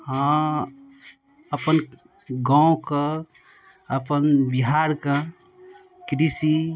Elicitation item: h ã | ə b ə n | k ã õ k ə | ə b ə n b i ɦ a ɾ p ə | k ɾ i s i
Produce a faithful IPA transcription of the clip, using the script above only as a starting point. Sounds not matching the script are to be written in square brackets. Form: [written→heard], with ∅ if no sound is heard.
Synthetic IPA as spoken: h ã | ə [b→p] ə n | [k→ɡ] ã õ k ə | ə [b→p] ə n b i ɦ a ɾ [p→k] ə | k ɾ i s i

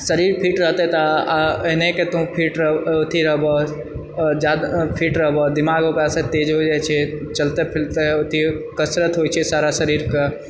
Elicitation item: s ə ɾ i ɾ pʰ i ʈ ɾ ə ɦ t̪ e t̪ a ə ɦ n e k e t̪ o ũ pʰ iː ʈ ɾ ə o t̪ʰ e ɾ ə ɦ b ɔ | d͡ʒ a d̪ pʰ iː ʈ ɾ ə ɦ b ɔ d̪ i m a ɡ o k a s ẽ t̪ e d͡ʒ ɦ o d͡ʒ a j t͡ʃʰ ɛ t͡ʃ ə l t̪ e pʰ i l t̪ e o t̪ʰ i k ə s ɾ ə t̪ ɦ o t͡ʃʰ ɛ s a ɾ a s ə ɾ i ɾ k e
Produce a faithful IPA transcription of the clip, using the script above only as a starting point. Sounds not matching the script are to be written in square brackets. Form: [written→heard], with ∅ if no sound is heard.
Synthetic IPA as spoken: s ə ɾ i ɾ pʰ i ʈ ɾ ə ɦ t̪ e t̪ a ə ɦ n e k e t̪ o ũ pʰ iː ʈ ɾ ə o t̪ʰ [e→i] ɾ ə ɦ b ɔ | d͡ʒ a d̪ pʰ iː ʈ ɾ ə ɦ b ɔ d̪ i m a ɡ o k a s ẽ t̪ e d͡ʒ ɦ o d͡ʒ a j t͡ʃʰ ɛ t͡ʃ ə l t̪ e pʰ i l t̪ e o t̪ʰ i k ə s ɾ ə t̪ ɦ o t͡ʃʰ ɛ s a ɾ a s ə ɾ i ɾ k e

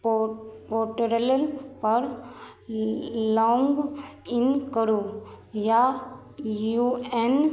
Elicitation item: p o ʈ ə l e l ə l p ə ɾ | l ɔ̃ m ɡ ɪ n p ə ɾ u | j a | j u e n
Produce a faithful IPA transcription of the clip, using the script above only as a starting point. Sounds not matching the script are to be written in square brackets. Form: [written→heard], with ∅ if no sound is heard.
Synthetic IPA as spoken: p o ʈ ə [l→ɾ] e l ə l p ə ɾ | l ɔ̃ [m→ŋ] ɡ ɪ n [p→k] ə ɾ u | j a | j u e n

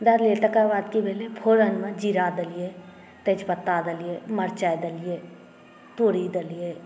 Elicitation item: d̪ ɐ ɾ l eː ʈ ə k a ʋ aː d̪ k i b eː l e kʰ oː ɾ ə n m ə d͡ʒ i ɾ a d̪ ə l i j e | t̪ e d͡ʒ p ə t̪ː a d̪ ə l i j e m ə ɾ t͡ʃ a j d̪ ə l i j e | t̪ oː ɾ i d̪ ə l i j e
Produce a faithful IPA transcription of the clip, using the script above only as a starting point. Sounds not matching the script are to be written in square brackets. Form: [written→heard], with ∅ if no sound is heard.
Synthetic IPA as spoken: d̪ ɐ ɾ l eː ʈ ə k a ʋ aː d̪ k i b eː l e [kʰ→pʰ] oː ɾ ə n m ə d͡ʒ i ɾ a d̪ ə l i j e | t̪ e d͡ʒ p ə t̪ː a d̪ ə l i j e m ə ɾ t͡ʃ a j d̪ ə l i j e | t̪ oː ɾ i d̪ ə l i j e

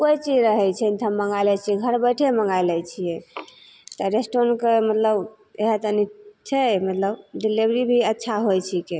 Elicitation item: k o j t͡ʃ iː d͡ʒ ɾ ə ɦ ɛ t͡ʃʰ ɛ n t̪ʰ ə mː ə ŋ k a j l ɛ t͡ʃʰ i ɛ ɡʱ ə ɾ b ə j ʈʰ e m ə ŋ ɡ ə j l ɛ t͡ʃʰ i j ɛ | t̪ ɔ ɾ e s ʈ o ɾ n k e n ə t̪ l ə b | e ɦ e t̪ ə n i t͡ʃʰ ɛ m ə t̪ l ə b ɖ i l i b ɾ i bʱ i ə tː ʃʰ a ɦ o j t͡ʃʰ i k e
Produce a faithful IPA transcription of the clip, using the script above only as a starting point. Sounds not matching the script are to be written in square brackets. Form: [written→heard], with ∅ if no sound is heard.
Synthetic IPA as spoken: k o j t͡ʃ [iː→i] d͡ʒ ɾ ə ɦ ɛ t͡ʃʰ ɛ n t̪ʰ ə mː ə ŋ [k→ɡ] a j l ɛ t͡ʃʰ i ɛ ɡʱ ə ɾ b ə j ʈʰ e m ə ŋ ɡ [ə→a] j l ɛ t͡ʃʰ i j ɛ | t̪ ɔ ɾ e s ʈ o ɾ n k e [n→m] ə t̪ l ə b | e ɦ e t̪ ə n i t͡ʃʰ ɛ m ə t̪ l ə b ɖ i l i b ɾ i bʱ i ə tː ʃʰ a ɦ o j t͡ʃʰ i k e

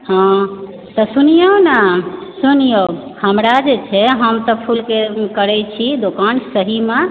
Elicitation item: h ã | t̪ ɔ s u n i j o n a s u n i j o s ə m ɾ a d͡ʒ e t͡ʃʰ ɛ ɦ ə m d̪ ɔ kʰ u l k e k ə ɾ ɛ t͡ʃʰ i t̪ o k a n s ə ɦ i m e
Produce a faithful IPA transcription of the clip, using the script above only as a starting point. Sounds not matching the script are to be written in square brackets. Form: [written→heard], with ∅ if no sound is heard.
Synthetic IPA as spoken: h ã | t̪ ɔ s u n i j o n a s u n i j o [s→h] ə m ɾ a d͡ʒ e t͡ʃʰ ɛ ɦ ə m [d̪→t̪] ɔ [kʰ→pʰ] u l k e k ə ɾ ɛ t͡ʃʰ i [t̪→d̪] o k a n s ə ɦ i m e

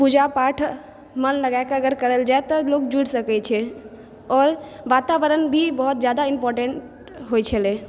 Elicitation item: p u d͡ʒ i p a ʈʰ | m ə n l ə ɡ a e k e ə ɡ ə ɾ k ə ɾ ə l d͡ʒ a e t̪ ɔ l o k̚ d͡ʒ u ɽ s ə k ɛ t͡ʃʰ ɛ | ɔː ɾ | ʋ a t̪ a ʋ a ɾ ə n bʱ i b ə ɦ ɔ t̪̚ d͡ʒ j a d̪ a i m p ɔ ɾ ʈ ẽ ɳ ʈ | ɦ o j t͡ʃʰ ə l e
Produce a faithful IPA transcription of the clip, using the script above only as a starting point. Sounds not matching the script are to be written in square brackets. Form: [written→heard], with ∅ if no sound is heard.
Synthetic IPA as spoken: p u d͡ʒ [i→a] p a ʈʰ | m ə n l ə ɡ a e k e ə ɡ ə ɾ k ə ɾ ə l d͡ʒ a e t̪ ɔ l o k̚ d͡ʒ u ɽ s ə k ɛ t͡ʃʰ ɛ | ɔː ɾ | ʋ a t̪ a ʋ [a→ə] ɾ ə n bʱ i b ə ɦ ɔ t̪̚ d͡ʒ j a d̪ a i m p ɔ ɾ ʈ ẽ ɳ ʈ | ɦ o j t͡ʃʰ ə l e

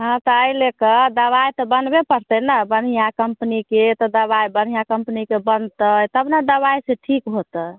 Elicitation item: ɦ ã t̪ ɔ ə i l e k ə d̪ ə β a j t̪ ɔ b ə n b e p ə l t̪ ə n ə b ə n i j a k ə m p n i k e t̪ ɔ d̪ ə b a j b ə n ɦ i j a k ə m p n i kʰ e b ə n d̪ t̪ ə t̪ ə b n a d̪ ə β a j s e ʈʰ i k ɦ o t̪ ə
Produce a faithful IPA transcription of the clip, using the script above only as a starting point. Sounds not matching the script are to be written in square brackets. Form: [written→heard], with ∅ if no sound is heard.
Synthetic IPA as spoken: ɦ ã t̪ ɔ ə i l e k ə d̪ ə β a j t̪ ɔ b ə n b e p ə [l→ɾ] t̪ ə n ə b ə n i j a k ə m p n i k e t̪ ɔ d̪ ə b a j b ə n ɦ i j a k ə m p n i [kʰ→k] e b ə n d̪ t̪ ə t̪ ə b n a d̪ ə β a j s e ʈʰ i k ɦ o t̪ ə

